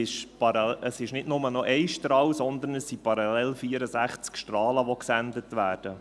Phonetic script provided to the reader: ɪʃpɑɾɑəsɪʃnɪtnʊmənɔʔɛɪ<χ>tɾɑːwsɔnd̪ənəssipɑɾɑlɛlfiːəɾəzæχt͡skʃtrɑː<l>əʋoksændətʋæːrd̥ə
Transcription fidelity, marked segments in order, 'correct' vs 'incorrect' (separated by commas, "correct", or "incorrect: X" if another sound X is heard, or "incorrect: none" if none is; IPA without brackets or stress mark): incorrect: ʃ, correct